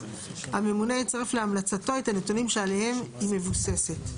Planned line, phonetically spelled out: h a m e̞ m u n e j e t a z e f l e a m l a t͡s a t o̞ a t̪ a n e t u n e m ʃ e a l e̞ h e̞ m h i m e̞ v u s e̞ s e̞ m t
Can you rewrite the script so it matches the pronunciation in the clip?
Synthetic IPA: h a m e̞ m u n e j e t͡s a ʁ e f l e a m l a t͡s a t o̞ e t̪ a n e t u n i m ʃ e a l e̞ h e̞ m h i m e̞ v u s e̞ s e̞ t